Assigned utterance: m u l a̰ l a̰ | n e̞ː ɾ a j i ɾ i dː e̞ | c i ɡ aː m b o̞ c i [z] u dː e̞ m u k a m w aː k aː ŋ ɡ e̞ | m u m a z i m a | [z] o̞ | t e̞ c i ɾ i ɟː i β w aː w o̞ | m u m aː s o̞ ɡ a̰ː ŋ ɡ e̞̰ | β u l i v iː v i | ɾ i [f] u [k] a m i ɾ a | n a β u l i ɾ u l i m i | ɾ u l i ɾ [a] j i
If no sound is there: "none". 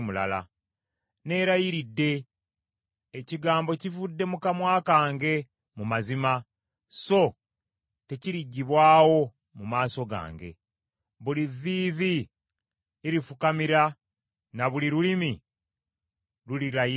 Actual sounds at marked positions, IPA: v, s, f, k, a

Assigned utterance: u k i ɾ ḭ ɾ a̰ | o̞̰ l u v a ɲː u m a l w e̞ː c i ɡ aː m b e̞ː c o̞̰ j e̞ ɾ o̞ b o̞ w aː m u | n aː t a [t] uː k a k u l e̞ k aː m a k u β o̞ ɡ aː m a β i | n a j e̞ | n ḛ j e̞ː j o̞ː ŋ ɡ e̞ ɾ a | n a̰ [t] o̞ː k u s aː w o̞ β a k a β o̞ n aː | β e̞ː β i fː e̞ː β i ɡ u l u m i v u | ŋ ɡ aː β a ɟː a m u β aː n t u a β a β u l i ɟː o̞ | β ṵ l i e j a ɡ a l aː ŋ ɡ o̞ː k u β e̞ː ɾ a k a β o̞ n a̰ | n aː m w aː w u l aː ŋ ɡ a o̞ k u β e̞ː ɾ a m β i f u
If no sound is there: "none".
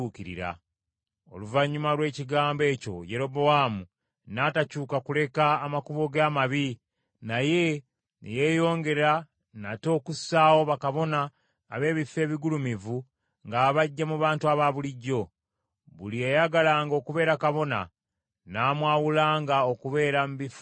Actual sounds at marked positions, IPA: c, t

